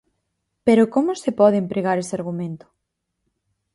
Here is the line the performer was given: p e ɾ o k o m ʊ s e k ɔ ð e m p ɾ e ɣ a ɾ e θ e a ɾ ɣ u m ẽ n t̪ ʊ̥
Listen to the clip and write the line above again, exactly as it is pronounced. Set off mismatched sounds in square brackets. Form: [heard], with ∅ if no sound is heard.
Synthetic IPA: p e ɾ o k o m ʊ s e [p] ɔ ð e m p ɾ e ɣ a ɾ e [s] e a ɾ ɣ u m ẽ n t̪ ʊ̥

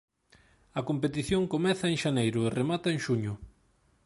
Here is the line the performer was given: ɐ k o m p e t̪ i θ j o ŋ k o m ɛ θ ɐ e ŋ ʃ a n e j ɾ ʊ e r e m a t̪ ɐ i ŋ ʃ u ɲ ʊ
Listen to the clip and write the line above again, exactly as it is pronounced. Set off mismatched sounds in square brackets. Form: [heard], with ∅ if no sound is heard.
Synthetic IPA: ɐ k o m p e t̪ i θ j o ŋ k o m ɛ θ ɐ e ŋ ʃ a n e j ɾ ʊ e r e m a t̪ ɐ [e] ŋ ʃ u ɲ ʊ

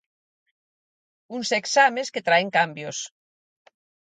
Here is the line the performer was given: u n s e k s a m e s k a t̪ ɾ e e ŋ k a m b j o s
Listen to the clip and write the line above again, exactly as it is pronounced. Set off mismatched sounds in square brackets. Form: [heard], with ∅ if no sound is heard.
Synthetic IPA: u n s e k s a m e s k [e] t̪ ɾ [a] e ŋ k a m b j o s

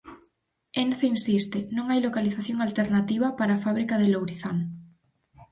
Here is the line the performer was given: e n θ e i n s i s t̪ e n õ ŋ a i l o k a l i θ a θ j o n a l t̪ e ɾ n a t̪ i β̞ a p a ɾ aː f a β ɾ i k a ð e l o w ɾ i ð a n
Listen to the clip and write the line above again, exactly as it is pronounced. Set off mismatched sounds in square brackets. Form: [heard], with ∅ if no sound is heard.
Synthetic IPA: e n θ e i n s i s t̪ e n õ ŋ a [j] l o k a l i θ a θ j o [ŋ] a l t̪ e ɾ n a t̪ i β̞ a p a ɾ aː f a β ɾ i k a ð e l o w ɾ i [θ] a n

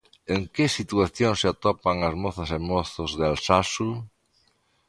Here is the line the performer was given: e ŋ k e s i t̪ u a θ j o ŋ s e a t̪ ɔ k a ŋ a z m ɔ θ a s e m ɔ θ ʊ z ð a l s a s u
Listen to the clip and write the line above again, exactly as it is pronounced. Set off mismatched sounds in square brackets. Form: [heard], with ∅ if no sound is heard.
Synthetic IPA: e ŋ k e s i t̪ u a θ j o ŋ s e a t̪ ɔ [p] a ŋ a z m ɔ θ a s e m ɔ θ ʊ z ð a l s a s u

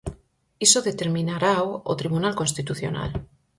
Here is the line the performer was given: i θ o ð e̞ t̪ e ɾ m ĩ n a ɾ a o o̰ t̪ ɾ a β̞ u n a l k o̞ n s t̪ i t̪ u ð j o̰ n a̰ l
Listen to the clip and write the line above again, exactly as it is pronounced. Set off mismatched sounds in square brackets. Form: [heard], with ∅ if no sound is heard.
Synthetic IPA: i [s] o ð e̞ t̪ e ɾ m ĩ n a ɾ a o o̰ t̪ ɾ [i] β̞ u n a l k o̞ n s t̪ i t̪ u [θ] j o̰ n a̰ l

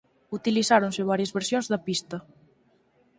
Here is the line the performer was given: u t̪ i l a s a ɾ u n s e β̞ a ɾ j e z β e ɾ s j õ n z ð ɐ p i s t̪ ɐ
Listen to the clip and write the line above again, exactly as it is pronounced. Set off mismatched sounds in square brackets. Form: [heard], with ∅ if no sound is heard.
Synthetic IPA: u t̪ i l [i] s a ɾ [o] n s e β̞ a ɾ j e z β e ɾ s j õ n z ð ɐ p i s t̪ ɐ

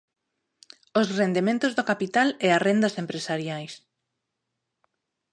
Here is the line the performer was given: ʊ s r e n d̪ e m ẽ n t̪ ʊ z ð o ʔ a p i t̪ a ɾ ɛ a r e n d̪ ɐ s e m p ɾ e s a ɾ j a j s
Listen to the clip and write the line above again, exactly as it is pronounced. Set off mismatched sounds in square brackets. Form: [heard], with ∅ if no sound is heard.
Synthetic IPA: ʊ s r e n d̪ e m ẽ n t̪ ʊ z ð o [k] a p i t̪ a [l] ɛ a r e n d̪ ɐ s e m p ɾ e s a ɾ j a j s

